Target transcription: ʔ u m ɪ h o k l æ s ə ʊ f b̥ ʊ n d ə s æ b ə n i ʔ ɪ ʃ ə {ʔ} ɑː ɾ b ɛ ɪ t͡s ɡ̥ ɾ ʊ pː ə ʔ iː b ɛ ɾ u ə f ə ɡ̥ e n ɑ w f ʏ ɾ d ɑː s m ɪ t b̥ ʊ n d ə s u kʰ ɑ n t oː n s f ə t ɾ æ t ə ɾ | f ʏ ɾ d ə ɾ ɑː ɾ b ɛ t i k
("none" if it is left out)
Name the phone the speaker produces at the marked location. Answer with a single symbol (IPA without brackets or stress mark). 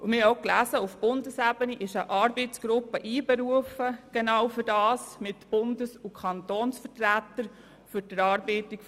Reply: ʔ